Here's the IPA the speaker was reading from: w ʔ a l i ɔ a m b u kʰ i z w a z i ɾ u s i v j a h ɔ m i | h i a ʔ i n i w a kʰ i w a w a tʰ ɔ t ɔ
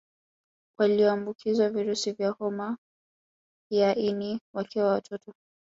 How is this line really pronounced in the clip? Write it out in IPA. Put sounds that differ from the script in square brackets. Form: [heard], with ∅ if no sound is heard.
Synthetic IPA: w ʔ a l i ɔ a m b u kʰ i z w a [v] i ɾ u s i v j a h ɔ m [a] | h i a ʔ i n i w a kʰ i w a w a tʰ ɔ t ɔ